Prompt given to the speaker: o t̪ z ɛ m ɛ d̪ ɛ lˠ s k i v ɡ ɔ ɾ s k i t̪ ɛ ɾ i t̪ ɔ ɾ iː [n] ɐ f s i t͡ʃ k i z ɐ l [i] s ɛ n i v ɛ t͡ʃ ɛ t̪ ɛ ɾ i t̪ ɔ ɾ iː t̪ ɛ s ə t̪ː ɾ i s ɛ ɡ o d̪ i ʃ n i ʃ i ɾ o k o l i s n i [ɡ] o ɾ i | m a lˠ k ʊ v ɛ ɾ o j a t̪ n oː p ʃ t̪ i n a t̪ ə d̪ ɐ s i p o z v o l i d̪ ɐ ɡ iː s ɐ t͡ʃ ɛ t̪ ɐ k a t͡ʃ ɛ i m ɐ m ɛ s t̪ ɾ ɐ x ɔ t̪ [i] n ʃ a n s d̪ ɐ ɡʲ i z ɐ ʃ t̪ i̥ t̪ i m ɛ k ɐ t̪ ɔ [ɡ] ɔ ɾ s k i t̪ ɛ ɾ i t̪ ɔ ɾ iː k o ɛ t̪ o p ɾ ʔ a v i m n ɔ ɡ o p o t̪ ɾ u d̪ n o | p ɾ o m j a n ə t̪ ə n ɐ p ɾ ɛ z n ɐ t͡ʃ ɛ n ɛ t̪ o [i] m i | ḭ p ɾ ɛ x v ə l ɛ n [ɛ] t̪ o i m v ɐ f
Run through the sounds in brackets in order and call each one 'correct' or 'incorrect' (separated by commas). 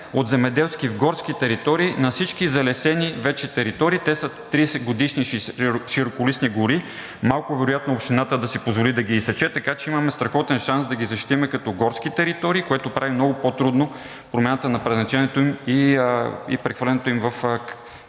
correct, incorrect, correct, incorrect, correct, correct, correct